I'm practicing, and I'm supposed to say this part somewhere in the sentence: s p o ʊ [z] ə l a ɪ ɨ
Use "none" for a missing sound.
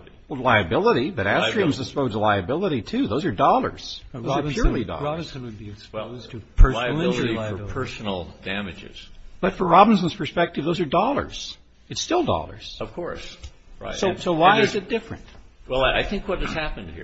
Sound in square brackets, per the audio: z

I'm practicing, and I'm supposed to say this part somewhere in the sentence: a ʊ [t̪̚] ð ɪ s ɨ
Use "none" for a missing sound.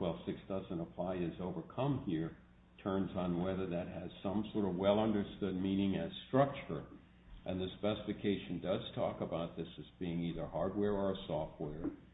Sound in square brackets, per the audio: t̪̚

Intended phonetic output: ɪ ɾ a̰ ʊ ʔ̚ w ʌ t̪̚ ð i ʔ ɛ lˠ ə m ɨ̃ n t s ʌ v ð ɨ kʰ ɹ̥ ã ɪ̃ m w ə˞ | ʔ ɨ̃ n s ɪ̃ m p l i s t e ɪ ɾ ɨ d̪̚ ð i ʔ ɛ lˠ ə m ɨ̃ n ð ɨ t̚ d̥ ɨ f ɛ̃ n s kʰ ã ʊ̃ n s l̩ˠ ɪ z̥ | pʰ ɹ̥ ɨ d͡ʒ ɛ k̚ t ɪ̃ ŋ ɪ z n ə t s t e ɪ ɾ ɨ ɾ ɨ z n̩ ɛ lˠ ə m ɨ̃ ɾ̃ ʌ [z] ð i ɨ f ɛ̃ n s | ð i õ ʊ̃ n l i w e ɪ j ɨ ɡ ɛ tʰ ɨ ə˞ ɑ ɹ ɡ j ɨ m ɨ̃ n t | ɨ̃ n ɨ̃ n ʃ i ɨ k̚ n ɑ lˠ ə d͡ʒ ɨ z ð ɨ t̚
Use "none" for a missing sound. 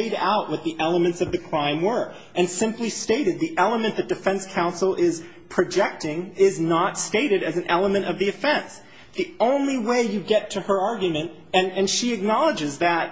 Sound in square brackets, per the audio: v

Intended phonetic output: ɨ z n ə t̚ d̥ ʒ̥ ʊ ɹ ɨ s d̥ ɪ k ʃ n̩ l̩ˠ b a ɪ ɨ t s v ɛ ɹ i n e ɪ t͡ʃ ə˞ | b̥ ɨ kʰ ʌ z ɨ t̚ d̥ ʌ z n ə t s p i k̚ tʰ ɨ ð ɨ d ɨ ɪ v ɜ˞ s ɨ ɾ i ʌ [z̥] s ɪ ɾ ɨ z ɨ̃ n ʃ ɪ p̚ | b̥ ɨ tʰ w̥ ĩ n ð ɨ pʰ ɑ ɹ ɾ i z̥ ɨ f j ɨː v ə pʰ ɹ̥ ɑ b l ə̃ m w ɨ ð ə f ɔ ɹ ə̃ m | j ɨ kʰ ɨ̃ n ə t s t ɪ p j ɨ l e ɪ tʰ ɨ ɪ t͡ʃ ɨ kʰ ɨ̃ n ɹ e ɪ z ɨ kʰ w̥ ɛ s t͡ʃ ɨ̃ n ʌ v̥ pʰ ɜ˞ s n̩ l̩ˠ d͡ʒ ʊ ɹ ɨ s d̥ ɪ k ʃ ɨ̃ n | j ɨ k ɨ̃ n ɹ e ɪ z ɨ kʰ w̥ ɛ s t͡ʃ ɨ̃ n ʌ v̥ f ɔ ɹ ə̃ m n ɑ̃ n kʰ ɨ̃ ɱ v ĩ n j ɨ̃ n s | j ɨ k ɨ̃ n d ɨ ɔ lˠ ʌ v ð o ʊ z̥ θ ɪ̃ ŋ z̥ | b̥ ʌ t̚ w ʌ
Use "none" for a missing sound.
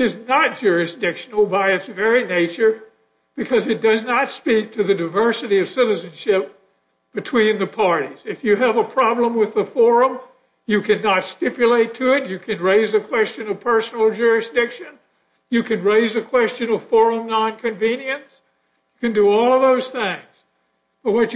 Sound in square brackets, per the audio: v̥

